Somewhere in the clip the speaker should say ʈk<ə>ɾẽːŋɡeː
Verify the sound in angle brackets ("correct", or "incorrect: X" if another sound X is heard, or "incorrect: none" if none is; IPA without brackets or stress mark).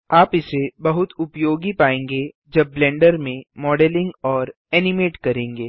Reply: incorrect: ɐ